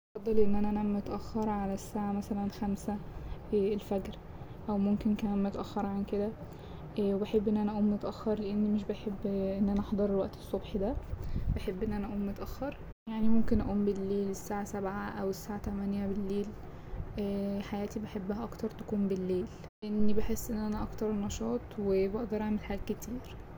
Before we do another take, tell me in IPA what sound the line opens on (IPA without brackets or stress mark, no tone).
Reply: f